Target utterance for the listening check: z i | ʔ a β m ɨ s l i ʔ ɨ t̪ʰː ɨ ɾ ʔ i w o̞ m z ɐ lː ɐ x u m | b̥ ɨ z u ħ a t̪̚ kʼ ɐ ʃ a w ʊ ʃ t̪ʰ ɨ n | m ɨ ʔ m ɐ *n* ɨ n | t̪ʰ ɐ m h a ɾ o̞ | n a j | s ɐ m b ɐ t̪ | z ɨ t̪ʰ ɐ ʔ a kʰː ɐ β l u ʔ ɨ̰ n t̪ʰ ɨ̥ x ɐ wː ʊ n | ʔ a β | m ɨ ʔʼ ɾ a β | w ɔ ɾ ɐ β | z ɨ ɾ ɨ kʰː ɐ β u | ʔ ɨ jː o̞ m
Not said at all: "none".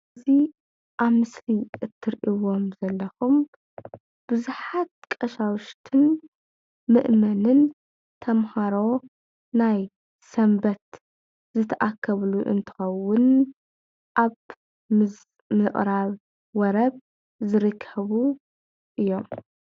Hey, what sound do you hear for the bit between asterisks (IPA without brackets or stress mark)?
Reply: n